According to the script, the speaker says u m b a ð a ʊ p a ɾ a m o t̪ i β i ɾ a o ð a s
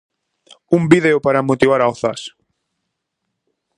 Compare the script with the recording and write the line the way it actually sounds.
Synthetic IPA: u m b i ð e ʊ p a ɾ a m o t̪ i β a ɾ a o θ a s